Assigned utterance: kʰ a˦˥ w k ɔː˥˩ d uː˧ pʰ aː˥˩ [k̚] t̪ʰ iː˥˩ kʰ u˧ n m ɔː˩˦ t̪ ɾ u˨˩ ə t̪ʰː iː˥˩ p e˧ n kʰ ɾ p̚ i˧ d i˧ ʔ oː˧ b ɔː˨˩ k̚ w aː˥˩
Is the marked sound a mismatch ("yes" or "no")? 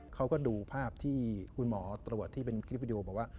yes